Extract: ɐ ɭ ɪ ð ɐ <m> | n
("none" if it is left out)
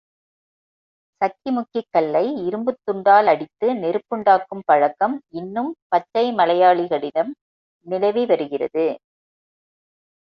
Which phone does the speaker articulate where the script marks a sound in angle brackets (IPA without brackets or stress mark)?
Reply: m